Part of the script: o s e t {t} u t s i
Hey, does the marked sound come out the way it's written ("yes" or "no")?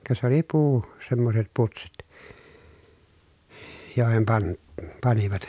no